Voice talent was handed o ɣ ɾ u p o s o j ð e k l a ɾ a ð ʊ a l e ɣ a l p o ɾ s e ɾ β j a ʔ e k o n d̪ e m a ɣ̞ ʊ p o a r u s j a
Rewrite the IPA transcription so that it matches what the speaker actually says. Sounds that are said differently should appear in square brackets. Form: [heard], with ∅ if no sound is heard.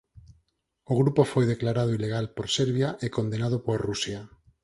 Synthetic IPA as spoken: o ɣ ɾ u p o [f] o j ð e k l a ɾ a ð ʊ [i] l e ɣ a l p o ɾ s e ɾ β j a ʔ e k o n d̪ e [n] a [ð̞] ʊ p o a r u s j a